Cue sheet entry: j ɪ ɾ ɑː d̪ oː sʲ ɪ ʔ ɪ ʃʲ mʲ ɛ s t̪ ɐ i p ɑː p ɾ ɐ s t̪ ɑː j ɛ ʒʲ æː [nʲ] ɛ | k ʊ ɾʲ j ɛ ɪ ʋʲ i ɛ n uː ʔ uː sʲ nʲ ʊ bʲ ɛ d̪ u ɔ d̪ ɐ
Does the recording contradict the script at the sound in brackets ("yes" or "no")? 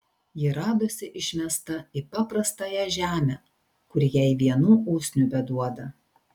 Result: yes